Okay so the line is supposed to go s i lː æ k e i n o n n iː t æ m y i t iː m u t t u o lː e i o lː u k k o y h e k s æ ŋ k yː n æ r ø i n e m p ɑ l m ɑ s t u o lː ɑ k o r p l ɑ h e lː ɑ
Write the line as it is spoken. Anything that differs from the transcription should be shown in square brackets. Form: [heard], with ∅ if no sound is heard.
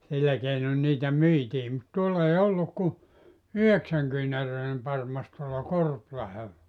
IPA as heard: s i lː æ k e i n o n n iː t æ m y i t iː m u t t u o lː e i o lː u k k [u] y h e k s æ ŋ k yː n æ r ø i n e m p ɑ [r] m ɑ s t u o lː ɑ k o r p l ɑ h e lː ɑ

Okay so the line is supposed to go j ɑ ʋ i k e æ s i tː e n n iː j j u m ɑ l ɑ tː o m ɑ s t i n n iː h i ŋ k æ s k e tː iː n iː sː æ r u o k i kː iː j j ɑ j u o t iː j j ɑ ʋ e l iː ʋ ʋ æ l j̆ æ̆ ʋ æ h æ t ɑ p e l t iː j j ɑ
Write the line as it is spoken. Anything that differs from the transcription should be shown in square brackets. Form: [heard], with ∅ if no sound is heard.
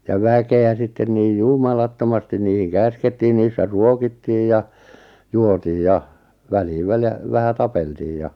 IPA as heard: j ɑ ʋ [æ] k e æ s i tː e n n iː j j u m ɑ l ɑ tː o m ɑ s t i n n iː h i ŋ k æ s k e tː iː n iː sː æ r u o k i [tː] iː j j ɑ j u o t iː j j ɑ ʋ [æ] l iː ʋ ʋ æ l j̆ æ̆ ʋ æ h æ t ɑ p e l t iː j j ɑ

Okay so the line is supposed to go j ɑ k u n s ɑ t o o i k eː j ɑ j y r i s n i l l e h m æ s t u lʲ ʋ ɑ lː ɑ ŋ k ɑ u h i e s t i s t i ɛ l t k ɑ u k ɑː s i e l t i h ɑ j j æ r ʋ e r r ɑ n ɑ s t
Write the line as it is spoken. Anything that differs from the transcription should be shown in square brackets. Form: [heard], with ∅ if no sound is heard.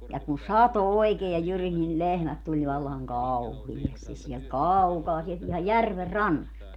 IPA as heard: j ɑ k u n s ɑ t o o i k eː j ɑ j y r i s n i l l e h m æ [t] t u lʲ ʋ ɑ lː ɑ ŋ k ɑ u h i e s t i s [s] i ɛ l t k ɑ u k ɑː s i e l t i h ɑ j j æ r ʋ e r r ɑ [nː] ɑ s t

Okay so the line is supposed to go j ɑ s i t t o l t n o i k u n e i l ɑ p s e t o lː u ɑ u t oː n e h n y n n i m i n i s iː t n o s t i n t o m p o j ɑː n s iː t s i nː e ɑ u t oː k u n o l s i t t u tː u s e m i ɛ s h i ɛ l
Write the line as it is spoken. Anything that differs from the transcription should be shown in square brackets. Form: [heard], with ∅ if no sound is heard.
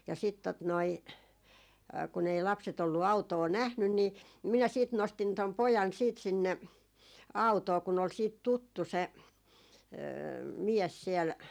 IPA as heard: j ɑ s i t t o [∅] t n o i k u n e i l ɑ p s e t o lː u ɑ u t oː n [æ] h n y n n i m i n [æ] s iː t n o s t i n t o m p o j [ɑ] n s iː t s i nː e ɑ u t oː k u n o l s [iː] t t u tː u s e m i ɛ s [s] i ɛ l

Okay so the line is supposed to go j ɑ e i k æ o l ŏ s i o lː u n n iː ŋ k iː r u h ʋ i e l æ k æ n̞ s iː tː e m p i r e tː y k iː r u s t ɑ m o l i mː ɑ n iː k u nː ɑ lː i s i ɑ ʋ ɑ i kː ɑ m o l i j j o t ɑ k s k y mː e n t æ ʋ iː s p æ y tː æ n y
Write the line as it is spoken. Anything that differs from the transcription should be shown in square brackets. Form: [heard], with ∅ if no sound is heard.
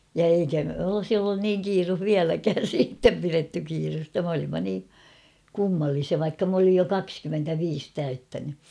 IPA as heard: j ɑ e i k æ o l ŏ s i o lː u n n iː ŋ k iː r u h ʋ i [æ] l æ k [æː] n̞ s iː tː e m p i r e tː y k iː r u s t ɑ m o l i mː ɑ n iː k u [mː] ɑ lː i s i ɑ ʋ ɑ i kː ɑ m o l i j j o [k] ɑ k s k y mː e n t æ ʋ iː s [t] æ y tː æ n y

